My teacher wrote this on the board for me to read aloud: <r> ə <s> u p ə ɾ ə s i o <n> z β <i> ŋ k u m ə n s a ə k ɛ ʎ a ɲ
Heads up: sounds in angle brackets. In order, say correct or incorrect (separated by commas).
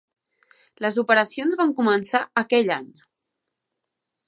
incorrect, incorrect, correct, incorrect